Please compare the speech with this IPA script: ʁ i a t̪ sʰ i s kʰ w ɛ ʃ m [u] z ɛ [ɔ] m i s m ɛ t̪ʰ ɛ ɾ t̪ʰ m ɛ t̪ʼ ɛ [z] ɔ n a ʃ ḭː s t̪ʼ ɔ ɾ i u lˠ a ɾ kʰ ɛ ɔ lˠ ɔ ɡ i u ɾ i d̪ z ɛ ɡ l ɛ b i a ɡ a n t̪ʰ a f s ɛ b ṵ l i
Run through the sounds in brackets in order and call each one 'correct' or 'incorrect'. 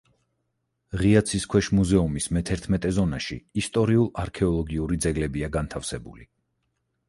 correct, incorrect: u, correct

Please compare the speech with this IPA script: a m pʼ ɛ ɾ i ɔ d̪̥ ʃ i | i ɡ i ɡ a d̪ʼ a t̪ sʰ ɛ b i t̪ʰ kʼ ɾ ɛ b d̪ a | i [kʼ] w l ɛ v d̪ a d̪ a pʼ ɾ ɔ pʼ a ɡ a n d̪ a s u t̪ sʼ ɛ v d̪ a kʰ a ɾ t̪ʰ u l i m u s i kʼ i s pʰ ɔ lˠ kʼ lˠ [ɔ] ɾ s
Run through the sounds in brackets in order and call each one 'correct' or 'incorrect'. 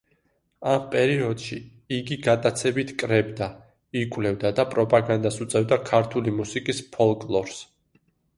correct, correct

